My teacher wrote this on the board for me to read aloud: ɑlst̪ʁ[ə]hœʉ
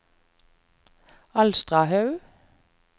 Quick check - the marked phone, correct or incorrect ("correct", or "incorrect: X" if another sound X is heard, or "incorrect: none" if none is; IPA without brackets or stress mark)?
incorrect: ɑ